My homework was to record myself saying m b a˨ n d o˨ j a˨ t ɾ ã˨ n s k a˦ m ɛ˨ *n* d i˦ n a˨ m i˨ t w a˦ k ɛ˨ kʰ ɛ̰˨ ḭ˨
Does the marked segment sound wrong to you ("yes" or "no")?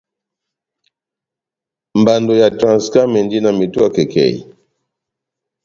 no